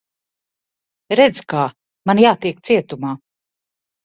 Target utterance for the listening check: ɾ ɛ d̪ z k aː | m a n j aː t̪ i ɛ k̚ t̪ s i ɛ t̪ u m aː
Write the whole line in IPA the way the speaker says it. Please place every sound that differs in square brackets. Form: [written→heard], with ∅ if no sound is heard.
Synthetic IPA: ɾ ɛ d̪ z k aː | m a n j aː t̪ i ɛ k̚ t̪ s i ɛ t̪ u m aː